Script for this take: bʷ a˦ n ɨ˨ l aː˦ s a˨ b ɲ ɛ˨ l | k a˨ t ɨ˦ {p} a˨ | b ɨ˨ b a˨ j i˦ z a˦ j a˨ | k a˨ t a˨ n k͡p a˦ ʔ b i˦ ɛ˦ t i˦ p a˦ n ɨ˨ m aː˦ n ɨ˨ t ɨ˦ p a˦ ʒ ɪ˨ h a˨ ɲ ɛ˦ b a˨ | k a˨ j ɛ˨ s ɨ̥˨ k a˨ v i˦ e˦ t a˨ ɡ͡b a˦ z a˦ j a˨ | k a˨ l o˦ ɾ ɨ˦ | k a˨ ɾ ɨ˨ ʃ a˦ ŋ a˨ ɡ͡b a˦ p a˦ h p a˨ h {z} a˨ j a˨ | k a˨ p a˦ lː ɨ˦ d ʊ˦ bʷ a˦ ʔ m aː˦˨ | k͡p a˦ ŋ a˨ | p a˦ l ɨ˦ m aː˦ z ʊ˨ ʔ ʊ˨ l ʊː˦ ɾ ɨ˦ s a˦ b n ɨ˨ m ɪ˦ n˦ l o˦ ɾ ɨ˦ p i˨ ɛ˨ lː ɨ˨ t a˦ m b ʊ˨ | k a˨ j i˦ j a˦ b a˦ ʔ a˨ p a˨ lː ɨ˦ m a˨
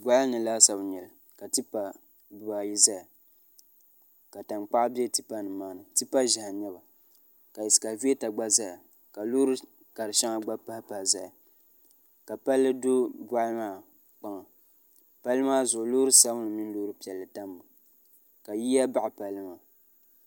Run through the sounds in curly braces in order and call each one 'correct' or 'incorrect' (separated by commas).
correct, correct